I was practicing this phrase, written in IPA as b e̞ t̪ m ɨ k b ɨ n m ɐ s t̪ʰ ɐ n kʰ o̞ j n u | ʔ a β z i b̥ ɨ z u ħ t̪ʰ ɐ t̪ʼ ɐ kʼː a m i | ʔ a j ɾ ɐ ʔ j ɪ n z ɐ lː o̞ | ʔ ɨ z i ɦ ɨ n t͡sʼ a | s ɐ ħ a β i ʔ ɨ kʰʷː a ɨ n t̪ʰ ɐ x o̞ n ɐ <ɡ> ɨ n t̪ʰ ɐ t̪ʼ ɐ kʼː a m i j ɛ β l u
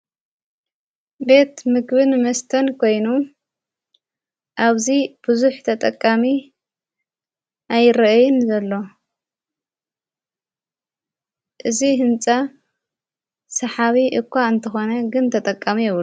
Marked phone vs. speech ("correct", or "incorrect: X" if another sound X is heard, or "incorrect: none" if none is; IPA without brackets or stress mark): correct